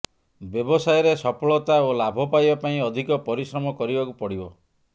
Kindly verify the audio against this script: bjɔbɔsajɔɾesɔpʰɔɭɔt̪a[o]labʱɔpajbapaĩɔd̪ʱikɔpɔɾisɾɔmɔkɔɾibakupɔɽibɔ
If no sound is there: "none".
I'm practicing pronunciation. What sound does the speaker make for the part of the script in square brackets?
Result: o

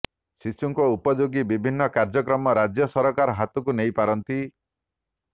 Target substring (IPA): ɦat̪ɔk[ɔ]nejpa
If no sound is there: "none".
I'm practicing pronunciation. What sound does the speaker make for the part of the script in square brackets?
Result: u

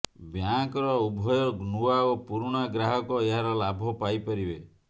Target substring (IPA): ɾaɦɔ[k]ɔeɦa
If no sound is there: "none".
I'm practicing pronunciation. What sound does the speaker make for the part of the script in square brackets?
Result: k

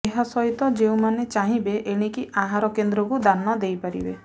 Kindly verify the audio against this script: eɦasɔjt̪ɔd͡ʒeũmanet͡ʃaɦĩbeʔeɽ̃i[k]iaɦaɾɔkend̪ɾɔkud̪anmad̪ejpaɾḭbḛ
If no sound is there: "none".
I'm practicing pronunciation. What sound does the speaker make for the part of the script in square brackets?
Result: k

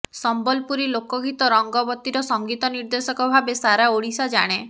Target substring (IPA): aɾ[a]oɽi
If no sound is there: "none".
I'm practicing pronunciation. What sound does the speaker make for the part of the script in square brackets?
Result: a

